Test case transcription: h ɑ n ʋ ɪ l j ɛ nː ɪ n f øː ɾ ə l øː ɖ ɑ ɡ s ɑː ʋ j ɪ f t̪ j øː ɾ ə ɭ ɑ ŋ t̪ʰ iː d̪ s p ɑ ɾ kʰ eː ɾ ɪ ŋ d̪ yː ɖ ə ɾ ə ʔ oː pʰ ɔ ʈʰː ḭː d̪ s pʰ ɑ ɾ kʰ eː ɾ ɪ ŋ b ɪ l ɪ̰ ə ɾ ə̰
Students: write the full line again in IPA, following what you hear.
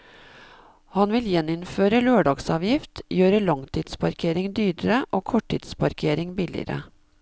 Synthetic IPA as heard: h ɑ n ʋ ɪ l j ɛ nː ɪ n f øː ɾ ə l øː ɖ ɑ ɡ s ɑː ʋ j ɪ f t̪ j øː ɾ ə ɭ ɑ ŋ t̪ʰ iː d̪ s p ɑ ɾ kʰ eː ɾ ɪ ŋ d̪ yː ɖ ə ɾ ə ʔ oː kʰ ɔ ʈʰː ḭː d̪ s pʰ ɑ ɾ kʰ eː ɾ ɪ ŋ b ɪ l ɪ̰ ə ɾ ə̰

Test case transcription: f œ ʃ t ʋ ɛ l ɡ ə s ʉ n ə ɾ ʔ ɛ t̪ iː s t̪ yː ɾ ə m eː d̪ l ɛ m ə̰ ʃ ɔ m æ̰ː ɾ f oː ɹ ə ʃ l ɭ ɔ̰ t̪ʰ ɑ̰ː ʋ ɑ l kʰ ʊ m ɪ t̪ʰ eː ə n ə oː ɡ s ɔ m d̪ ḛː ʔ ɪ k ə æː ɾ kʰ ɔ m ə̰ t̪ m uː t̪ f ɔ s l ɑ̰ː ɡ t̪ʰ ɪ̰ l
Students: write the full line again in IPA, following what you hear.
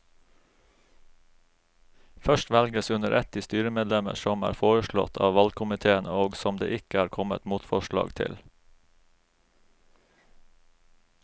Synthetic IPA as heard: f œ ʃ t ʋ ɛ l ɡ ə s ʉ n ə ɾ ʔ ɛ t̪ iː s t̪ yː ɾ ə m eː d̪ l ɛ m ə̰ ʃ ɔ m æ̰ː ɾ f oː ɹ ə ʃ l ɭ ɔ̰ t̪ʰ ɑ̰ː ʋ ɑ l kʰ ʊ m ɪ t̪ʰ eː ə n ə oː ɡ s ɔ m d̪ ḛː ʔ ɪ k ə æː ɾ kʰ ɔ m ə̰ t̪ m uː t̪ f ɔ ʃ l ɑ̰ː ɡ t̪ʰ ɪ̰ l

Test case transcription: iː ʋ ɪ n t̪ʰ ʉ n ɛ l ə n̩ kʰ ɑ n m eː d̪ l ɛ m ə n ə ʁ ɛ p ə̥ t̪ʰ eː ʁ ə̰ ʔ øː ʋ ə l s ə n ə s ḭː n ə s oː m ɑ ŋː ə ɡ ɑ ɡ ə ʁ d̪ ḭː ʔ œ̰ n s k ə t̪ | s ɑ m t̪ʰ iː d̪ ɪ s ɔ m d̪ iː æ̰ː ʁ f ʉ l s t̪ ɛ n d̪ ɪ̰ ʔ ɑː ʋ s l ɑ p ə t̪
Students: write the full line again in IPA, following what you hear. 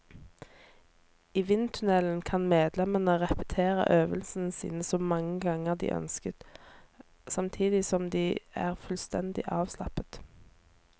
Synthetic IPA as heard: iː ʋ ɪ n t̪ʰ ʉ n ɛ l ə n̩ kʰ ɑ n m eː d̪ l ɛ m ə n ə ʁ ɛ p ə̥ t̪ʰ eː ʁ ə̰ ʔ øː ʋ ə l s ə n ə s ḭː n ə s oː m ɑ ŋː ə ɡ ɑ ŋ ə ʁ d̪ ḭː ʔ œ̰ n s k ə t̪ | s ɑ m t̪ʰ iː d̪ ɪ s ɔ m d̪ iː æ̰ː ʁ f ʉ l s t̪ ɛ n d̪ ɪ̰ ʔ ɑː ʋ s l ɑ p ə t̪

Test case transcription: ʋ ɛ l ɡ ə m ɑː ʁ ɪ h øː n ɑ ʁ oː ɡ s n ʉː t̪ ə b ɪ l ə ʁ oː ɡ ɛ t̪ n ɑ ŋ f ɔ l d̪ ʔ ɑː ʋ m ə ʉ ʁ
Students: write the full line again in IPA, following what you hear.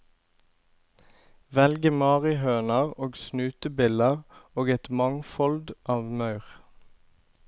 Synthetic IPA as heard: ʋ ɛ l ɡ ə m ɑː ʁ ɪ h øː n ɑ ʁ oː ɡ s n ʉː t̪ ə b ɪ l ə ʁ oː ɡ ɛ t̪ m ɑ ŋ f ɔ l d̪ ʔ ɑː ʋ m ɑ ʉ ʁ

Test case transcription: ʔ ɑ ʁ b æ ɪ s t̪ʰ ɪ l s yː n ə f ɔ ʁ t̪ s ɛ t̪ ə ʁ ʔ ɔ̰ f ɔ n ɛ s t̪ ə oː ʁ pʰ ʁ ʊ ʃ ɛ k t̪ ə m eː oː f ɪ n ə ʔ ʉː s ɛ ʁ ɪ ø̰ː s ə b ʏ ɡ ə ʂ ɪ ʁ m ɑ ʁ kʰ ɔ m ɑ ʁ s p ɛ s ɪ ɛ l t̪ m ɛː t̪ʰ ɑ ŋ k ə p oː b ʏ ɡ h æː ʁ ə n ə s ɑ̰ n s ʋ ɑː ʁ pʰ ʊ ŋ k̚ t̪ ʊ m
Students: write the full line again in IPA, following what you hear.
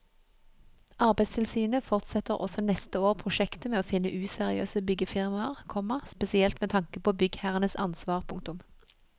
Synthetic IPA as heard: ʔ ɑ ʁ b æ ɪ s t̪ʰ ɪ l s yː n ə f ɔ ʁ t̪ s ɛ t̪ ə ʁ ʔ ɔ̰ s ɔ n ɛ s t̪ ə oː ʁ pʰ ʁ ʊ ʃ ɛ k t̪ ə m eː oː f ɪ n ə ʔ ʉː s ɛ ʁ ɪ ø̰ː s ə b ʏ ɡ ə f ɪ ʁ m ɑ ʁ kʰ ɔ m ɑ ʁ s p ɛ s ɪ ɛ l t̪ m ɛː t̪ʰ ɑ ŋ k ə p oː b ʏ ɡ h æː ʁ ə n ə s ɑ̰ n s ʋ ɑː ʁ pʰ ʊ ŋ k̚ t̪ ʊ m

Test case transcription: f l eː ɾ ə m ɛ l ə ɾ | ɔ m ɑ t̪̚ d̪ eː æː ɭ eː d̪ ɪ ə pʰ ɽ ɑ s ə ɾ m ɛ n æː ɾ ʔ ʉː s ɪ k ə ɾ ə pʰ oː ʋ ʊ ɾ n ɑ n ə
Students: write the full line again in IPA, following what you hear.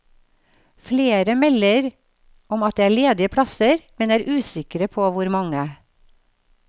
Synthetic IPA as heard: f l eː ɾ ə m ɛ l ə ɾ | ɔ m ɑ t̪̚ d̪ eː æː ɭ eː d̪ ɪ ə pʰ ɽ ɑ s ə ɾ m ɛ n æː ɾ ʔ ʉː s ɪ k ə ɾ ə pʰ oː ʋ ʊ ɾ m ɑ ŋ ə

